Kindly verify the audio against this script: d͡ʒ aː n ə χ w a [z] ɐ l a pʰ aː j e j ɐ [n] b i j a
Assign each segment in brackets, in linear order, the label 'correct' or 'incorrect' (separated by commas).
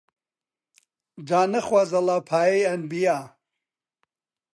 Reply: correct, correct